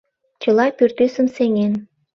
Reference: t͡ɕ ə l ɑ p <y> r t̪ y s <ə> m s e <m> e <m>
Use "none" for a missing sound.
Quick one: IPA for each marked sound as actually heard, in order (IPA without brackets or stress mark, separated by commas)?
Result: y, ə, ŋ, n